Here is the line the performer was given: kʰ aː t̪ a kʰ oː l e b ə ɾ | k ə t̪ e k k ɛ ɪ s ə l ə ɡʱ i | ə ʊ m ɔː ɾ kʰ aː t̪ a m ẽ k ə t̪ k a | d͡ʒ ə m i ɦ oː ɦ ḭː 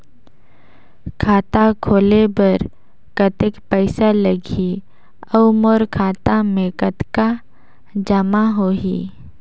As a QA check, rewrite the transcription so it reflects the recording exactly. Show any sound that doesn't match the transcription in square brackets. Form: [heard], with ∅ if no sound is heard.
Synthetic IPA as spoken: kʰ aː t̪ a kʰ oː l e b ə ɾ | k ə t̪ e k [p] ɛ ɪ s [a] l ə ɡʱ i | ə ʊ m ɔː ɾ kʰ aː t̪ a m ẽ k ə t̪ k a | d͡ʒ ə m [a] ɦ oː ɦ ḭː